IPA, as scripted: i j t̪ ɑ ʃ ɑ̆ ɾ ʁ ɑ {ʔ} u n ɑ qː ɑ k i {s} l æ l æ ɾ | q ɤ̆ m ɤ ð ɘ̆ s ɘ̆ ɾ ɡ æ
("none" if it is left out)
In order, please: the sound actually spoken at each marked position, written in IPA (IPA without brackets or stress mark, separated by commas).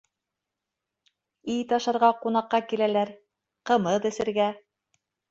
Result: q, none